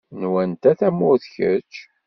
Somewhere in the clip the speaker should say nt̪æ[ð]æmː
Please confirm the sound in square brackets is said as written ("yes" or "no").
no